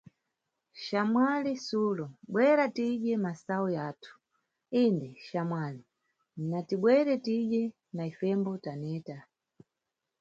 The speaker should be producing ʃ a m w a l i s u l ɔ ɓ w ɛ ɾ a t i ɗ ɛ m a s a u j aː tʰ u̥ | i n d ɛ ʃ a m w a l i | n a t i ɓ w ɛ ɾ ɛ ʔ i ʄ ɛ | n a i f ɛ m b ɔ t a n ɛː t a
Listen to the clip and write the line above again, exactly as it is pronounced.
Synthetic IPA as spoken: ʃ a m w a l i s u l ɔ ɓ w ɛ ɾ a t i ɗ ɛ m a s a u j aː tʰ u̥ | i n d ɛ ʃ a m w a l i | n a t i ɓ w ɛ ɾ ɛ t i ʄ ɛ | n a i f ɛ m b ɔ t a n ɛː t a